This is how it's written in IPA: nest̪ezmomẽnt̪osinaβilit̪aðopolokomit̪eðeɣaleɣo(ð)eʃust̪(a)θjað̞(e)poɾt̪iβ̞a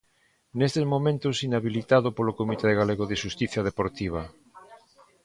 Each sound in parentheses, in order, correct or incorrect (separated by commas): correct, incorrect, correct